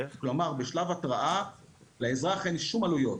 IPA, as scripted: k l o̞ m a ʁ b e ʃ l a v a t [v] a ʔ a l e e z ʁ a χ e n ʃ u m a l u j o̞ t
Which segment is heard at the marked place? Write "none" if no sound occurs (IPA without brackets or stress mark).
ʁ